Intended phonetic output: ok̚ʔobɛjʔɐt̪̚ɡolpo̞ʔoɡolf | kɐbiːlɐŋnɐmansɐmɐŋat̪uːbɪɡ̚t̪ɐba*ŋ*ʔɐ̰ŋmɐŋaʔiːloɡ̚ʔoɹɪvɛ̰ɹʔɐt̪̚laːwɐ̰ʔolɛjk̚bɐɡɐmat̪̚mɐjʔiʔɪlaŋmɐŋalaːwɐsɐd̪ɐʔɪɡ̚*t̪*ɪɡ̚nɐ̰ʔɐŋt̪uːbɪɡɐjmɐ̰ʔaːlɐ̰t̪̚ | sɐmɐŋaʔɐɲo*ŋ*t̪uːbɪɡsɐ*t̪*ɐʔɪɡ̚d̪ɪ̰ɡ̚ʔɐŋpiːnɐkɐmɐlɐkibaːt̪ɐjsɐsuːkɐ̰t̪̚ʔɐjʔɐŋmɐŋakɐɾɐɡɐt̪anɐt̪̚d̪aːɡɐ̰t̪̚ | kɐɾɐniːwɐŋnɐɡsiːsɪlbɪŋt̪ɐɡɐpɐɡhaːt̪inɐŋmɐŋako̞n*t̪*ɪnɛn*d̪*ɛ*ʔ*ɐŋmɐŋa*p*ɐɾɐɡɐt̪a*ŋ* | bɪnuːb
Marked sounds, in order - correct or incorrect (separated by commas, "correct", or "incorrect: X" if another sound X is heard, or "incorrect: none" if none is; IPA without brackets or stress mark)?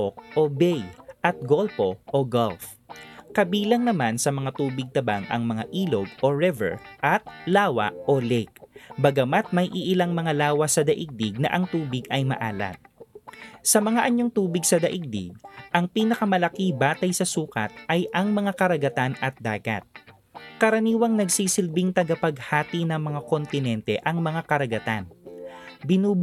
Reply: correct, incorrect: d̪, correct, incorrect: d̪, correct, incorrect: t̪, correct, incorrect: k, incorrect: n